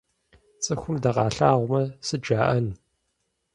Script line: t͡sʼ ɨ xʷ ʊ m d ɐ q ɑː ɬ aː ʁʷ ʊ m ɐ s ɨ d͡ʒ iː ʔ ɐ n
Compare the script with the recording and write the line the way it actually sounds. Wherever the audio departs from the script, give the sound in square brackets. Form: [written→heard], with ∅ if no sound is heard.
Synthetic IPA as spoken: t͡sʼ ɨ xʷ ʊ m d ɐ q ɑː ɬ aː ʁʷ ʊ m ɐ s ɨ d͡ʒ [iː→aː] ʔ ɐ n